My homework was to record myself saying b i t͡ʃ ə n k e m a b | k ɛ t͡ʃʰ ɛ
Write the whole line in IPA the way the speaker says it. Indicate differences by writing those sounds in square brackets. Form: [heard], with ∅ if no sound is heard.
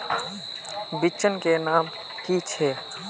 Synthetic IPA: b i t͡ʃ ə n k e [n] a [m] | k [i] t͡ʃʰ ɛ

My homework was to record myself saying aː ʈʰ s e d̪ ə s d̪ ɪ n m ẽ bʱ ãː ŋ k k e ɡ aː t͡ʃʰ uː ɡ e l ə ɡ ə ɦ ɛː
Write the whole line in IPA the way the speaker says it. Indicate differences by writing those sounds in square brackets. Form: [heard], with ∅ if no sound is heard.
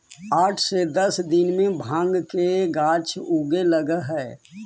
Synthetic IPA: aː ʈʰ s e d̪ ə s d̪ ɪ n m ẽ bʱ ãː ŋ [ɡ] k e ɡ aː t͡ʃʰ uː ɡ e l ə ɡ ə ɦ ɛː

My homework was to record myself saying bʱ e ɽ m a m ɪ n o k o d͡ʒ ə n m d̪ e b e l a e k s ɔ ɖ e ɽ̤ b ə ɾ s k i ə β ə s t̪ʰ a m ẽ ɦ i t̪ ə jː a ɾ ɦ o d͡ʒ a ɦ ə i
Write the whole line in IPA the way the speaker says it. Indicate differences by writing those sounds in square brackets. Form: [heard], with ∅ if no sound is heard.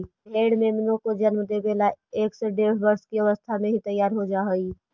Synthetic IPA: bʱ e ɽ m [e] m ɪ n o k o d͡ʒ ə n m d̪ e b e l a e k s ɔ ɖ e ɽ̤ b ə ɾ s k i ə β ə s t̪ʰ a m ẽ ɦ i t̪ ə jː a ɾ ɦ o d͡ʒ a ɦ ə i

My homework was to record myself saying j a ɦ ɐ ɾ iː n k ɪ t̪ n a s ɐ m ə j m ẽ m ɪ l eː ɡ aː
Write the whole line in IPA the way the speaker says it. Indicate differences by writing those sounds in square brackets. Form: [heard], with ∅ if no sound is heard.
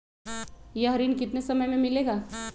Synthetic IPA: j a ɦ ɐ ɾ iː n k ɪ t̪ n [e] s ɐ m ə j m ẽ m ɪ l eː ɡ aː

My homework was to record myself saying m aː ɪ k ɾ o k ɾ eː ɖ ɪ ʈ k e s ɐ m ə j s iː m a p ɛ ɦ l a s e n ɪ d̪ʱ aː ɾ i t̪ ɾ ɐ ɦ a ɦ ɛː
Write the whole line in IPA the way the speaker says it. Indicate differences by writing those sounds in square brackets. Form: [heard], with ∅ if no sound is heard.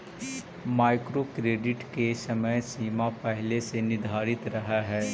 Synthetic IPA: m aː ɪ k ɾ o k ɾ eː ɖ ɪ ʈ k e s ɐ m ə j s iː m a p ɛ ɦ l [e] s e n ɪ d̪ʱ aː ɾ [ɪ] t̪ ɾ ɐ ɦ a ɦ ɛː

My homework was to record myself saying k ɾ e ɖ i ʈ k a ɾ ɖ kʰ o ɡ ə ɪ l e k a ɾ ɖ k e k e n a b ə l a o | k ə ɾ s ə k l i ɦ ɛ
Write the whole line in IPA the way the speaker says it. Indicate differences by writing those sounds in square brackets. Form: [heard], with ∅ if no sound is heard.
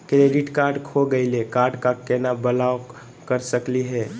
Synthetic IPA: k ɾ e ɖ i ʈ k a ɾ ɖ kʰ o ɡ ə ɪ l e k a ɾ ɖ k [a] k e n a b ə l a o | k ə ɾ s ə k l i ɦ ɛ

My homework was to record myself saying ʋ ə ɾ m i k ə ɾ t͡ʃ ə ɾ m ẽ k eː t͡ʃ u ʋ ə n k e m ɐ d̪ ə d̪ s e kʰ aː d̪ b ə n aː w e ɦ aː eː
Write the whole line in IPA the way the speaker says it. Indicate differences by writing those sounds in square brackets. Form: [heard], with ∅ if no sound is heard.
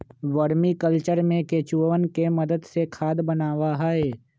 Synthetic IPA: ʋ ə ɾ m i k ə [l] t͡ʃ ə ɾ m ẽ k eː t͡ʃ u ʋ ə n k e m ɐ d̪ ə d̪ s e kʰ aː d̪ b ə n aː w [a] ɦ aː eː

